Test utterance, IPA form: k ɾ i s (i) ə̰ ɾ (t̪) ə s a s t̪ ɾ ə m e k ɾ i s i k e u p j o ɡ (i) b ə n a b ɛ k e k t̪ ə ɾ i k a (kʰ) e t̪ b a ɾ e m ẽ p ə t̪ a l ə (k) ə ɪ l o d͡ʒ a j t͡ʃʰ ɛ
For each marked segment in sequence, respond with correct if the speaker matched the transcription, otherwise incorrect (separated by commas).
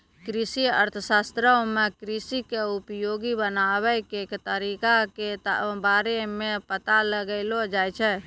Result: correct, incorrect, correct, incorrect, incorrect